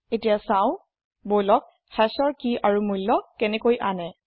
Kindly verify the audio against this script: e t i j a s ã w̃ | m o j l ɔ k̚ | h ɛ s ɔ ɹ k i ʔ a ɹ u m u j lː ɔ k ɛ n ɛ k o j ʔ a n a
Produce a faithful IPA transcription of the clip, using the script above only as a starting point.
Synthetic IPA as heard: e t i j a s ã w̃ | b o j l ɔ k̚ | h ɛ s ɔ ɹ k i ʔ a ɹ u m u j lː ɔ k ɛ n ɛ k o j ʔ a n ɛ

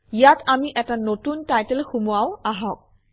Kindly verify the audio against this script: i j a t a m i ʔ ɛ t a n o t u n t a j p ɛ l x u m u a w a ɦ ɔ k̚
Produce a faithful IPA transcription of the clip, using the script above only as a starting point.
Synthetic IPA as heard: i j a t a m i ʔ ɛ t a n o t u n t a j t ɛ l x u m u a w a ɦ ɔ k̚

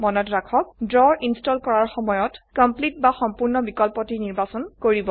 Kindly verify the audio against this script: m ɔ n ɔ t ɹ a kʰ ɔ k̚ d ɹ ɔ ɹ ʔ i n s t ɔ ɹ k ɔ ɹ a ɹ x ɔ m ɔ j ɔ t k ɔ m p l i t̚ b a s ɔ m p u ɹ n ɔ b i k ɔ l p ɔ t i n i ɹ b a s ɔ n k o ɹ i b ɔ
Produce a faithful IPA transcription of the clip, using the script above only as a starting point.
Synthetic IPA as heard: m ɔ n ɔ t ɹ a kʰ ɔ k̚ d ɹ ɔ ɹ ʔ i n s t ɔ l k ɔ ɹ a ɹ x ɔ m ɔ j ɔ t k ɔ m p l i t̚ b a x ɔ m p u ɹ n ɔ b i k ɔ l p ɔ t i n i ɹ b a s ɔ n k o ɹ i b ɔ

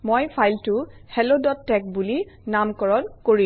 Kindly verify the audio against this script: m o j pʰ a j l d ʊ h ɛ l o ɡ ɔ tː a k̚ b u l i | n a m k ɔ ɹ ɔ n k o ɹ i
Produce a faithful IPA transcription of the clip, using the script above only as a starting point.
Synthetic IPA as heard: m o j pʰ a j l t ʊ h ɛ l o d ɔ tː ɛ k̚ b u l i | n a m k ɔ ɹ ɔ n k o ɹ i

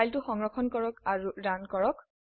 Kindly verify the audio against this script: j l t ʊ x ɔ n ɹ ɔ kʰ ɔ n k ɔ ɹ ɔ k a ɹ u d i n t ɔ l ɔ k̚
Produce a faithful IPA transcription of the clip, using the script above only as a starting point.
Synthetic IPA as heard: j l t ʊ x ɔ ŋ ɹ ɔ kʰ ɔ n k ɔ ɹ ɔ k a ɹ u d a n k ɔ ɹ ɔ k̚

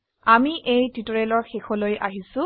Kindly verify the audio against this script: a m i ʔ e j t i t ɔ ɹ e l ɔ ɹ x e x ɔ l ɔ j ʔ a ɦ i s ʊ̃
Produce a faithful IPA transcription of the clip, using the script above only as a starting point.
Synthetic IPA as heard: a m i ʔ e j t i t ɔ ɹ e l ɔ ɹ x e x ɔ l o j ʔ a ɦ i s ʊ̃

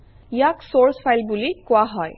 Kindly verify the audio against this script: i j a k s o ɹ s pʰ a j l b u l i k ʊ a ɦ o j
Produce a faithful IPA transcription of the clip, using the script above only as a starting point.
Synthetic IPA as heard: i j a k s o ɹ s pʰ a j l b u l i k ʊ a ɦ ɔ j

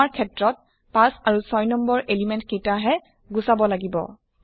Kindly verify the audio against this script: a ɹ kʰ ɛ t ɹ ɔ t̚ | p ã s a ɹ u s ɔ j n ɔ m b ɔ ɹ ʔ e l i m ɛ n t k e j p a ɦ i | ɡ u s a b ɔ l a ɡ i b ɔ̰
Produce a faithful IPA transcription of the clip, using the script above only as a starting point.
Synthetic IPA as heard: a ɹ kʰ ɛ t ɹ ɔ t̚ | p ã s a ɹ u s ɔ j n ɔ m b ɔ ɹ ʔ e l i m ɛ n t k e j t a ɦ ɛ | ɡ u s a b ɔ l a ɡ i b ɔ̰

